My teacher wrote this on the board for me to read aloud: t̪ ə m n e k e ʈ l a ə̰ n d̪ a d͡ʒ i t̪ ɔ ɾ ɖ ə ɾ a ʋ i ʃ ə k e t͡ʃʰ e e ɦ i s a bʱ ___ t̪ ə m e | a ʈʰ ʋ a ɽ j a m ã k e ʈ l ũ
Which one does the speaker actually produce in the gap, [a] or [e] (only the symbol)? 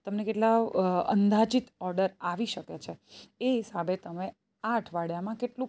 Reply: e